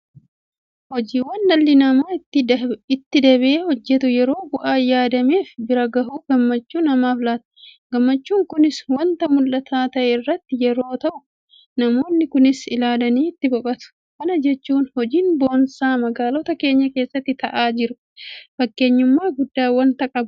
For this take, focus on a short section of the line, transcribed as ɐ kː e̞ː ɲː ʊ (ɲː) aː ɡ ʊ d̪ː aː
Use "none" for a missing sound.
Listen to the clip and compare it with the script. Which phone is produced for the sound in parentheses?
mː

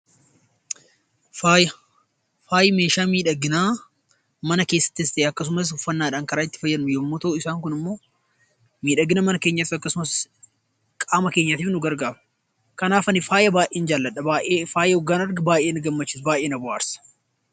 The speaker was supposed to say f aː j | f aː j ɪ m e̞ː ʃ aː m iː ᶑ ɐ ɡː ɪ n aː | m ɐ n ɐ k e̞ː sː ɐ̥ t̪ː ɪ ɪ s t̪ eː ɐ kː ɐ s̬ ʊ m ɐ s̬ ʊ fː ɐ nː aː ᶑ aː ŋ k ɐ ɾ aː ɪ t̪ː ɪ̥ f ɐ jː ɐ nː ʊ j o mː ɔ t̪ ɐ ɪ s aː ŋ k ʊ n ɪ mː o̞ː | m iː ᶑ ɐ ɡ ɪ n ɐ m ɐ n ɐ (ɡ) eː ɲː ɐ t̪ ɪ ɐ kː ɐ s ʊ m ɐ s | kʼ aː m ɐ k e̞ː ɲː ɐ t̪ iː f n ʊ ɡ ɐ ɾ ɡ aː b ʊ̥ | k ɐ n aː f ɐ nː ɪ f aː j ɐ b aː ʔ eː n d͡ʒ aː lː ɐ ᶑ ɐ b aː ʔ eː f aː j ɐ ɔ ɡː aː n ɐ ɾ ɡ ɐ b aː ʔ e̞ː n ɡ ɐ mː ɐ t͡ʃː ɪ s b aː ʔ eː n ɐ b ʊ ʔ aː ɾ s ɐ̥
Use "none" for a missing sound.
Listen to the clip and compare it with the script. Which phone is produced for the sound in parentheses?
k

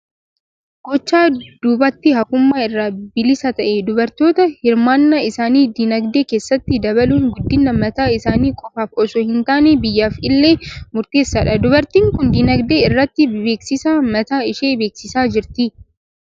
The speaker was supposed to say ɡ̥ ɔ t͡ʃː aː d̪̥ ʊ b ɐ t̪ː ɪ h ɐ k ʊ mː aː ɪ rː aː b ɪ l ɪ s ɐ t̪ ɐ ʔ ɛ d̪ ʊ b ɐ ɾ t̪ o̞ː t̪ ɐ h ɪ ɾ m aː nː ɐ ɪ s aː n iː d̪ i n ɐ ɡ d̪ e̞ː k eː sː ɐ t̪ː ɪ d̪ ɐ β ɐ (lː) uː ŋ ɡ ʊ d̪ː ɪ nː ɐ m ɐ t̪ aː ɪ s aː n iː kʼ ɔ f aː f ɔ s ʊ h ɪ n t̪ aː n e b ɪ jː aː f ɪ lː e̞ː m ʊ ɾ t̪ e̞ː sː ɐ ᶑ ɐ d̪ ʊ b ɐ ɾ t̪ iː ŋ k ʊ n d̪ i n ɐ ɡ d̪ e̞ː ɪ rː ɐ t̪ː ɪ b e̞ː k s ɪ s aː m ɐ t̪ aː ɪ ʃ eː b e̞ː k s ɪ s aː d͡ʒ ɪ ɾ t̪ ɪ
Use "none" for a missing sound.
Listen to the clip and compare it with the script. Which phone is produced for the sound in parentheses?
l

